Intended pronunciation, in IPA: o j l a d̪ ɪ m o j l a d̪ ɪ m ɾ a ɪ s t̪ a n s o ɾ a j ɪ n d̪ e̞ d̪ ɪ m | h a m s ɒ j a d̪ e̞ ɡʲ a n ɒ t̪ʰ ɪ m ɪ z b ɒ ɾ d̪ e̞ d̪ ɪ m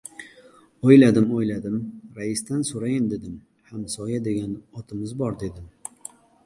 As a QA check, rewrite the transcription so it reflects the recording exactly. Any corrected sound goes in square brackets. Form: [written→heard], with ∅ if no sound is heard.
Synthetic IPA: o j l a d̪ ɪ m o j l a d̪ ɪ m ɾ a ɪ s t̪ a n s o ɾ a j ɪ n d̪ e̞ d̪ ɪ m | h a m s ɒ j a d̪ e̞ ɡʲ a n ɒ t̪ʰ ɪ m ɪ z b ɒ ɾ d̪ e̞ d̪ ɪ m